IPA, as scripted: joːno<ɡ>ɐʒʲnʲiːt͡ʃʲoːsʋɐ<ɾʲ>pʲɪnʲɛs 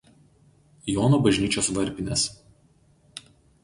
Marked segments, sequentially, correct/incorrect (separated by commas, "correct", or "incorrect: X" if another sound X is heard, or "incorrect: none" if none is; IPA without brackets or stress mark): incorrect: b, correct